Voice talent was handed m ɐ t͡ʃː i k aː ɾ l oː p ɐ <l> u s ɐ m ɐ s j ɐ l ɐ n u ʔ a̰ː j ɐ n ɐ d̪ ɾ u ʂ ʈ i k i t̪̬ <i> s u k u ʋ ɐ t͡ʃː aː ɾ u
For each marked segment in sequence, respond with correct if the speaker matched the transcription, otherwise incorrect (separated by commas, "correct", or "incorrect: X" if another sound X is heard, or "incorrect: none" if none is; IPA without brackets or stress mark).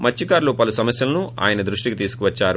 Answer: correct, incorrect: iː